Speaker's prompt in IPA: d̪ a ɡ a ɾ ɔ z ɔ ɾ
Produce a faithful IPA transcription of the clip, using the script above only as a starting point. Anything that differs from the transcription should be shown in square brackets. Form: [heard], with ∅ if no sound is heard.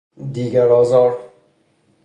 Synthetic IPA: d̪ [i] ɡ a ɾ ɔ z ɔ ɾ